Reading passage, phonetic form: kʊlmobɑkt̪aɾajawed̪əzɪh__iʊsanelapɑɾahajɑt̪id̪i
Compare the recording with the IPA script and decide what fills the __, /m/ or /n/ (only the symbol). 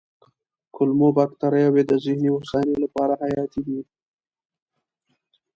n